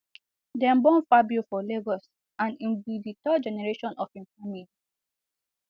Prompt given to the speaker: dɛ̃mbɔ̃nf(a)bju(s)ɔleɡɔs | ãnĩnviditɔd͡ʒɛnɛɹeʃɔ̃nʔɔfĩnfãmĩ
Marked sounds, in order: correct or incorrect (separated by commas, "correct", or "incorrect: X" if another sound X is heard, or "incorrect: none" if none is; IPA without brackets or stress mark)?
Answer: correct, incorrect: f